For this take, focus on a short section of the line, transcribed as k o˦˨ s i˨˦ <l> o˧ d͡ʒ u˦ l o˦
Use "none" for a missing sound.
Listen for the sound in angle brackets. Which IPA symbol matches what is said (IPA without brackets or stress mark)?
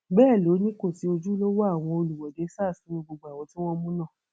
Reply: none